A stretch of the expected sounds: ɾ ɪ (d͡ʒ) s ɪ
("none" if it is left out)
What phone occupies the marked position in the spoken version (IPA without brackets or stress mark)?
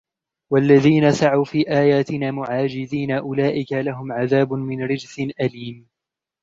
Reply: d͡ʒ